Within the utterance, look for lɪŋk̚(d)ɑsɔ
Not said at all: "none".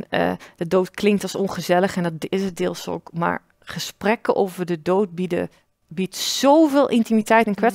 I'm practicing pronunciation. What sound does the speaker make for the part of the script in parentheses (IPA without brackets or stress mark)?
t